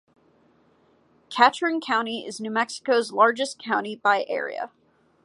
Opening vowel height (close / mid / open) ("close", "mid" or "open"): open